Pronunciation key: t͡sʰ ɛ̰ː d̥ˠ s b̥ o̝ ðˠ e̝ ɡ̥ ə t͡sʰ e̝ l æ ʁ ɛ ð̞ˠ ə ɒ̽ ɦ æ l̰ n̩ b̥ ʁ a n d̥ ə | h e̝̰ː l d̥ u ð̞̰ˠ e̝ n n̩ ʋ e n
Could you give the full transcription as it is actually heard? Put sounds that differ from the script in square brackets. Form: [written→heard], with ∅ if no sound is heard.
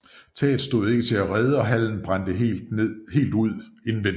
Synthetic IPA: t͡sʰ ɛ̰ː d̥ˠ s [b̥→d̥] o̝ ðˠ e̝ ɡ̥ ə t͡sʰ e̝ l æ ʁ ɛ ð̞ˠ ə ɒ̽ ɦ æ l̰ n̩ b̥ ʁ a n d̥ ə | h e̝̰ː l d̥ u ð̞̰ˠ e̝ n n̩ ʋ e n